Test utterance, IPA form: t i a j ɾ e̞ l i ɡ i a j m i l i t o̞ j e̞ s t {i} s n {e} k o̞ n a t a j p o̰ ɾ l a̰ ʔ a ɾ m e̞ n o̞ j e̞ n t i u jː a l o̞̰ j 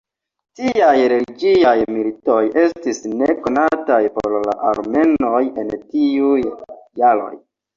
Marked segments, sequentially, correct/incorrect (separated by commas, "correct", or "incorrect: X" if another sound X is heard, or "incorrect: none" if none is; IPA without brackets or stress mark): correct, correct